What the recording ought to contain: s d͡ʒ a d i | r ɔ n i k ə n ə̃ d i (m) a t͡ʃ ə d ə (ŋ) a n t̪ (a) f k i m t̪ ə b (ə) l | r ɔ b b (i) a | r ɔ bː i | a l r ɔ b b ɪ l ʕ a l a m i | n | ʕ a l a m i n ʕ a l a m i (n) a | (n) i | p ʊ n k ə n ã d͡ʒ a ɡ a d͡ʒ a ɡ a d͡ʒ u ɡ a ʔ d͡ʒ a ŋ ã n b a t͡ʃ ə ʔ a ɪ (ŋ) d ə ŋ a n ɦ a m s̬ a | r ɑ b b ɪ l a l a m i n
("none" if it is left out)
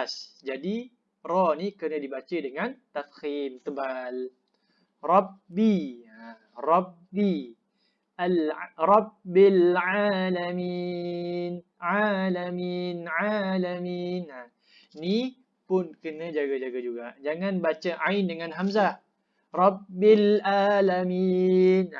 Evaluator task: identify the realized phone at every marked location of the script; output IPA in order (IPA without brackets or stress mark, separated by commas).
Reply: b, ŋ, a, a, i, n, n, n